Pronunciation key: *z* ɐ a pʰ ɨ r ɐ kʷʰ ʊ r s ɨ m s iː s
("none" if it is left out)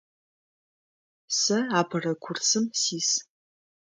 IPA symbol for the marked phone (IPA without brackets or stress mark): s